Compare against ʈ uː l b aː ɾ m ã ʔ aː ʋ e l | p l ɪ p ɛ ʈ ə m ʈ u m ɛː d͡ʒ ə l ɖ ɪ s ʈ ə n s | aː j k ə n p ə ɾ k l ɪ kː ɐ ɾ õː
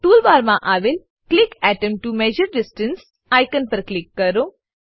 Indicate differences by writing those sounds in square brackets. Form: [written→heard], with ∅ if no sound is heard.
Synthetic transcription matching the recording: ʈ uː l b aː ɾ m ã ʔ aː ʋ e l | [p→k] l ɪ [p→k] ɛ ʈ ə m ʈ u m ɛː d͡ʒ ə [l→ɾ] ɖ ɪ s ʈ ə n s | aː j k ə n p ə ɾ k l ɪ kː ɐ ɾ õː